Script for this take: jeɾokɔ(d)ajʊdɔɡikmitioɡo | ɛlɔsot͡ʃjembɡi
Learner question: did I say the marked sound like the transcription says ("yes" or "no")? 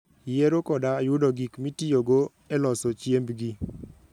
yes